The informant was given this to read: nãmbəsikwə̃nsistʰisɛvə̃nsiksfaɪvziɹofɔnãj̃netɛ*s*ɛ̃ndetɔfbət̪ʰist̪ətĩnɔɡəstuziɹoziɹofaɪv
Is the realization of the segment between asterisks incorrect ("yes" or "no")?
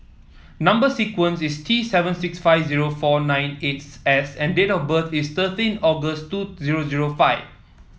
no